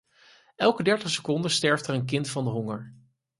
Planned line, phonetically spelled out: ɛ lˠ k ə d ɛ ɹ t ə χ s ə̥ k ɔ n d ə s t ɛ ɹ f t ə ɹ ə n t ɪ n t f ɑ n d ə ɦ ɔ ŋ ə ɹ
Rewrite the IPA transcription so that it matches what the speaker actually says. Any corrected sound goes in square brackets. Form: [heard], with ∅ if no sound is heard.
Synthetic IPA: ɛ lˠ k ə d ɛ ɹ t ə χ s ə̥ k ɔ n d ə s t ɛ ɹ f t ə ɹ ə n [k] ɪ n t f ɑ n d ə ɦ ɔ ŋ ə ɹ

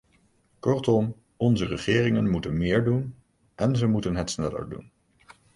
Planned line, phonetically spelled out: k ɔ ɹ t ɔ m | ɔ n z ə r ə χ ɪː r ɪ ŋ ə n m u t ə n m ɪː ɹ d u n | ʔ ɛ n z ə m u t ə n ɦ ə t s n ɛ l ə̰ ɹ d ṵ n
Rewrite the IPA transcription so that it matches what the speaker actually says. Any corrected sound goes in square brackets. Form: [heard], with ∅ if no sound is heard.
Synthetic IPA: k ɔ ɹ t ɔ m | ɔ n z ə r ə χ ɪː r ɪ ŋ ə n m u t ə n m ɪː ɹ d u n | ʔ ɛ n z ə m u t ə n ɦ ə t s n ɛ l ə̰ ɹ d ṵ n

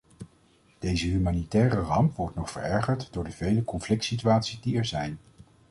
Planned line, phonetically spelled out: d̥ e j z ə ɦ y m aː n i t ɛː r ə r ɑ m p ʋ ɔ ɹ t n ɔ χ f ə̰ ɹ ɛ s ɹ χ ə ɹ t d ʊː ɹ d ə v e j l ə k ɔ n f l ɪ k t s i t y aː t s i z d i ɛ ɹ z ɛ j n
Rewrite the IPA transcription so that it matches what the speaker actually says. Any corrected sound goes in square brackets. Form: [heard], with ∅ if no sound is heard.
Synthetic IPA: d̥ e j z ə ɦ y m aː n i t ɛː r ə r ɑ m p ʋ ɔ ɹ t n ɔ χ f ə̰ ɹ ɛ [∅] ɹ χ ə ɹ t d ʊː ɹ d ə v e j l ə k ɔ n f l ɪ k t s i t y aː t s i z d i ɛ ɹ z ɛ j n

